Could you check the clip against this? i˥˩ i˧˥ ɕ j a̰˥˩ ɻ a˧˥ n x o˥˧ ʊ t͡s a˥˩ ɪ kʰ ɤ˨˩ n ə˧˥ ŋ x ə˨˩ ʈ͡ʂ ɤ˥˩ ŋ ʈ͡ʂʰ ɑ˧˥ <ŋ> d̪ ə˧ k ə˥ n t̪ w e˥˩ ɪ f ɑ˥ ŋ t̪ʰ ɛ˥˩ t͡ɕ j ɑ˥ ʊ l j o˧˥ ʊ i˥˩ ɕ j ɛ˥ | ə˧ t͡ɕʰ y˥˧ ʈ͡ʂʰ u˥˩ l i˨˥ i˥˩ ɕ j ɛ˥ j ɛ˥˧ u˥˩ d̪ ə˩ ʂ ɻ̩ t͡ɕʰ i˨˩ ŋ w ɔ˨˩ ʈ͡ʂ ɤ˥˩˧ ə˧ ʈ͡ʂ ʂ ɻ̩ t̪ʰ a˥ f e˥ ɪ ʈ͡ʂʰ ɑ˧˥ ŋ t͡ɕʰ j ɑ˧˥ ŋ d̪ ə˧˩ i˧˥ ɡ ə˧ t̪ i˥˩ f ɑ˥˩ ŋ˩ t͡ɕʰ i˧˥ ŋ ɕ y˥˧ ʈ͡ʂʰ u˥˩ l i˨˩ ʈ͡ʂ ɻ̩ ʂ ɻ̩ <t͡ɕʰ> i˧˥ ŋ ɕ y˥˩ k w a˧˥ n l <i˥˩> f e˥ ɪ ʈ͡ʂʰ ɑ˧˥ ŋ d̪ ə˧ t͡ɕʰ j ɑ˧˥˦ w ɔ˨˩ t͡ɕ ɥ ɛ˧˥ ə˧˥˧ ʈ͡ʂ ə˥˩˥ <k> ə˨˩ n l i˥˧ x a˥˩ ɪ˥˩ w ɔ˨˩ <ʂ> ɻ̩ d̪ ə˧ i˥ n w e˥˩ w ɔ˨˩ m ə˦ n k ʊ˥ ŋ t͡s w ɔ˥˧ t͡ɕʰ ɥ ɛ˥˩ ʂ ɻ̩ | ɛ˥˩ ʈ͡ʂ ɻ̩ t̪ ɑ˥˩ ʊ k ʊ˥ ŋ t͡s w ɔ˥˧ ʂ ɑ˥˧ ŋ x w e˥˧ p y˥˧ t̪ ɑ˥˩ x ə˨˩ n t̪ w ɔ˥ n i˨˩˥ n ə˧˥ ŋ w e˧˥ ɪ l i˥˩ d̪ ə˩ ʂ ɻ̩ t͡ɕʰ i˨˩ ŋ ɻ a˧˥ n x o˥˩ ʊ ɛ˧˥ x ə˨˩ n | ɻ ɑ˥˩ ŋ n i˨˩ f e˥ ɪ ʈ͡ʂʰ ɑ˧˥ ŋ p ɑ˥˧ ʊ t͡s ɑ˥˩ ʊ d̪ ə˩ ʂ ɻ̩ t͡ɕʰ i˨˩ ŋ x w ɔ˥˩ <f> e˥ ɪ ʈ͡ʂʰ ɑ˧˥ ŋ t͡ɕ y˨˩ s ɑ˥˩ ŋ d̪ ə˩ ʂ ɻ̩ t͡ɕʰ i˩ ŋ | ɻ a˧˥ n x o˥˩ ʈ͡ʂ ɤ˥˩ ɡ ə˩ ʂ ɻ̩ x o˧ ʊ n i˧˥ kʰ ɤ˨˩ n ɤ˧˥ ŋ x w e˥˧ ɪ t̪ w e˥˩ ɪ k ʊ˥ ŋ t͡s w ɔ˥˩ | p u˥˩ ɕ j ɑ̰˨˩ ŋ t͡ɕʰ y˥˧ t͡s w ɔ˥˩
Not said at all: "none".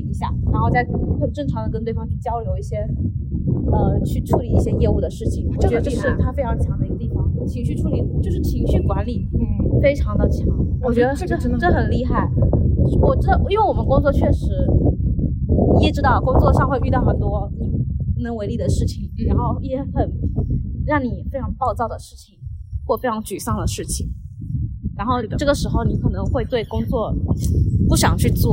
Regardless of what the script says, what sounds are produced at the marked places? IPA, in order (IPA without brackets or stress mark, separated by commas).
ŋ, t͡ɕʰ, i˨˩˦, x, ʈ͡ʂ, f